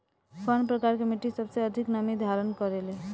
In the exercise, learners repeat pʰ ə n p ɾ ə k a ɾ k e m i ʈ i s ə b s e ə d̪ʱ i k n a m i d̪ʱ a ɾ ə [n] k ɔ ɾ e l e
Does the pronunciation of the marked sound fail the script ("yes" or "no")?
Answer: no